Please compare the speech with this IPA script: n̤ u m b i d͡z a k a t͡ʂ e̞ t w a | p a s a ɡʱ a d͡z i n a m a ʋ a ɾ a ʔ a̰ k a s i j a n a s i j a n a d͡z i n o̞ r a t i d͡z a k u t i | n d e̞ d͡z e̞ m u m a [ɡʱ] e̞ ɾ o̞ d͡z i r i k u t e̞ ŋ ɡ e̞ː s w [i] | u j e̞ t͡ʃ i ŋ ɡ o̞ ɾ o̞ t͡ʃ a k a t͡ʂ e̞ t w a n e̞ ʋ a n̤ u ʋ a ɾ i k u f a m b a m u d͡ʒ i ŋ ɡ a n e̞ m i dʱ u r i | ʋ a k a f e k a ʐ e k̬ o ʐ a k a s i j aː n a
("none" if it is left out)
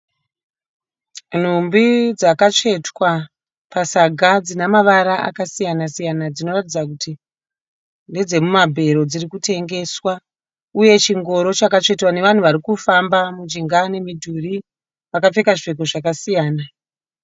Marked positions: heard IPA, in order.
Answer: bʱ, a

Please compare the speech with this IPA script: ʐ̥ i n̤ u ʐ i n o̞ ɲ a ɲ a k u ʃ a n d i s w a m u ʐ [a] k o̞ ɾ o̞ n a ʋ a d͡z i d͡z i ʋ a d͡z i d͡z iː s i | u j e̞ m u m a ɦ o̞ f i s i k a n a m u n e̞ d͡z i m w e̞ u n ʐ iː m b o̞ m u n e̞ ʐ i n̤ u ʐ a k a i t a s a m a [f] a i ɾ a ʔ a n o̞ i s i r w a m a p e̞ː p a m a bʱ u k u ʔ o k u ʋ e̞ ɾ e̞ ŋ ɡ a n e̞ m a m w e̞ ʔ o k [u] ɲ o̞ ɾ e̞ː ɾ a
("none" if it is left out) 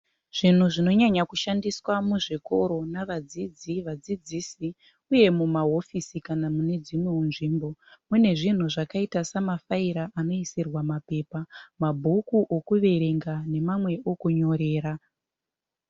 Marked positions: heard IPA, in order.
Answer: i, f, u

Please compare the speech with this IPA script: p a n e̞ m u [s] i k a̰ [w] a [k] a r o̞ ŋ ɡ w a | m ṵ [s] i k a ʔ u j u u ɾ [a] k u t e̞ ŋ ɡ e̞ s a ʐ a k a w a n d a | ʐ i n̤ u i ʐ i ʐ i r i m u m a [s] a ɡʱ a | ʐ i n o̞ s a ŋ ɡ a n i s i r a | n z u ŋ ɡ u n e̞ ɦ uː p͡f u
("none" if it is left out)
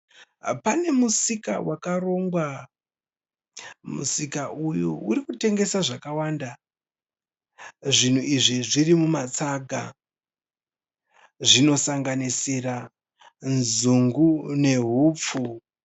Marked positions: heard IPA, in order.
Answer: s, w, k, s, i, t͡s

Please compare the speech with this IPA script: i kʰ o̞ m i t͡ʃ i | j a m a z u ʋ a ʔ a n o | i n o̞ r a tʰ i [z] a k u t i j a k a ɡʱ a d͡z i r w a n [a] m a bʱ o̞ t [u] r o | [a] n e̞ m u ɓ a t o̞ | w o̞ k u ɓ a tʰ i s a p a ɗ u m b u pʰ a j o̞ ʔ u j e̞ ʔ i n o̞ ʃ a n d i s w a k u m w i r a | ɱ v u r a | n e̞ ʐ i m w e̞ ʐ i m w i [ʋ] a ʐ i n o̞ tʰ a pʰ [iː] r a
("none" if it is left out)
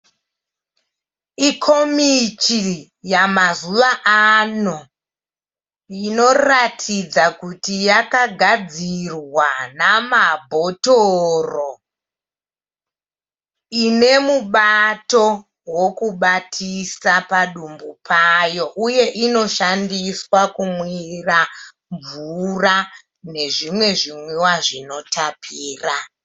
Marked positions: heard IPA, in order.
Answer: d͡z, a, o, i, w, iː

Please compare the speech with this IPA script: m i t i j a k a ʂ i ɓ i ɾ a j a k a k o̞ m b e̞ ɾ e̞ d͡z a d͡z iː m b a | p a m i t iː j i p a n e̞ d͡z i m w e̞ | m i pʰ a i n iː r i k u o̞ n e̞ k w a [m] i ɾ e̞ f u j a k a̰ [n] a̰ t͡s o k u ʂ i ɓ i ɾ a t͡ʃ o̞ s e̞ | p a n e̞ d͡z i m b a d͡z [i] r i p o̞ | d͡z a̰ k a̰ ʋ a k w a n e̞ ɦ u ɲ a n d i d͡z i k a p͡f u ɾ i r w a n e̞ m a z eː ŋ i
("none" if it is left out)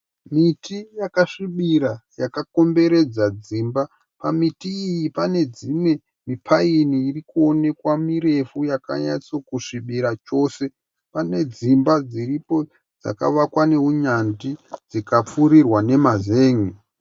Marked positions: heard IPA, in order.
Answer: m, ɲ, i

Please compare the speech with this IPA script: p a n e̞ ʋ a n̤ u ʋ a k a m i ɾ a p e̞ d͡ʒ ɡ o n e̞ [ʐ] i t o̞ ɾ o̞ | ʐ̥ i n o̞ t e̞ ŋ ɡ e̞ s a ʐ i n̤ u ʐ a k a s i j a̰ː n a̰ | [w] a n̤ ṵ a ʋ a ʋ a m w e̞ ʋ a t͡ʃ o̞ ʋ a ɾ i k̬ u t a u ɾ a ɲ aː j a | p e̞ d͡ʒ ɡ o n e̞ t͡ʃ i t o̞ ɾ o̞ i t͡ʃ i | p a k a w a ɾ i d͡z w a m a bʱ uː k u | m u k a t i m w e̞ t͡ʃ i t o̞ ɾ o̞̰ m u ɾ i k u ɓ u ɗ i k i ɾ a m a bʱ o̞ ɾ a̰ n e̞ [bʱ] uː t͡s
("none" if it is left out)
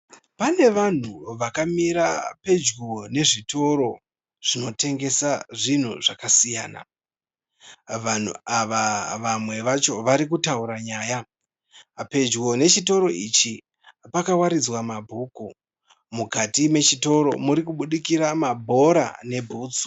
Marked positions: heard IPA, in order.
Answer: ʐ, ʋ, bʱ

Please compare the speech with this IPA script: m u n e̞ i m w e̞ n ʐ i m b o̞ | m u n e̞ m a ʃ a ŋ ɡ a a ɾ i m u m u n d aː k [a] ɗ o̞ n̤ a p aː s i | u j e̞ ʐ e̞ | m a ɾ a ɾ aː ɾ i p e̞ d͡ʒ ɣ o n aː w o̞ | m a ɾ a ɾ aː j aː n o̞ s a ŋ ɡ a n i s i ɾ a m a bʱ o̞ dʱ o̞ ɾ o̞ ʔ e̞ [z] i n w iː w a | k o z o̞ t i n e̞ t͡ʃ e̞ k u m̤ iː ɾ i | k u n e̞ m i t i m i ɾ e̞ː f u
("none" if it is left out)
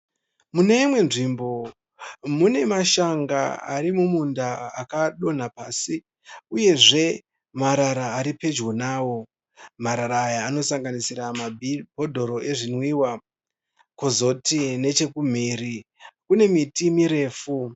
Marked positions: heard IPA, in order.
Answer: a, ʐ

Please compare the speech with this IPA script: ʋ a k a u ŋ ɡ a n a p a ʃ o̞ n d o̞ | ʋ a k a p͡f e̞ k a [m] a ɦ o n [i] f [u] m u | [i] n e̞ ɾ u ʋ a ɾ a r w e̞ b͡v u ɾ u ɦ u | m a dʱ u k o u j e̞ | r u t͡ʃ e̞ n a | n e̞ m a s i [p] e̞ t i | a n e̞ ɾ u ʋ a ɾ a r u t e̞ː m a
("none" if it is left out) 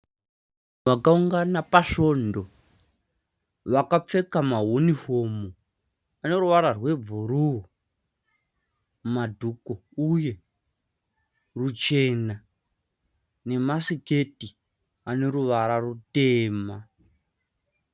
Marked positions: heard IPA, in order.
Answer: m, i, o, a, k

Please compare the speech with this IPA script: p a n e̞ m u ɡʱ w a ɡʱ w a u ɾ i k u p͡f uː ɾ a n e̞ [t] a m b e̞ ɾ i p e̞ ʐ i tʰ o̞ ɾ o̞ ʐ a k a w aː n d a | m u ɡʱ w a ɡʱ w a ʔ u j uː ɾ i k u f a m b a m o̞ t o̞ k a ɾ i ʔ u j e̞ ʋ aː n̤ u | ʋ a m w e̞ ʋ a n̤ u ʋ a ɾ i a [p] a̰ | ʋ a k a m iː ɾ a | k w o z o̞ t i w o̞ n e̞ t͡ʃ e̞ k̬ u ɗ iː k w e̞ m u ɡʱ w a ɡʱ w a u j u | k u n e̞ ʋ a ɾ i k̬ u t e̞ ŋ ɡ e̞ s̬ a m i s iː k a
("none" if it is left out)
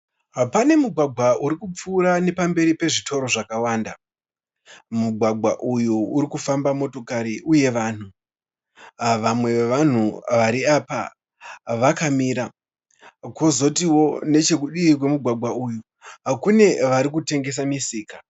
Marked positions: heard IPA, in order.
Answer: p, p

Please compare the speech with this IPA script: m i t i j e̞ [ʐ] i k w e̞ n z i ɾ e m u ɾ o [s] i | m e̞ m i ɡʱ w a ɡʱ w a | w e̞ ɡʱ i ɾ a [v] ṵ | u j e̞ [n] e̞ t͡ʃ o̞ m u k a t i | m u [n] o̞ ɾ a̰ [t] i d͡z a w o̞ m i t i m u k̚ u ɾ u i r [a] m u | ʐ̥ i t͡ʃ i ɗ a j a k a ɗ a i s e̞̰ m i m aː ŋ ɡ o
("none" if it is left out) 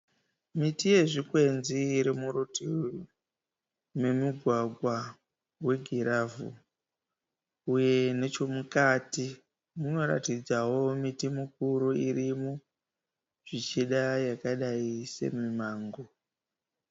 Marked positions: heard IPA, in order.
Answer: ʐ, t, v, n, n, t, i

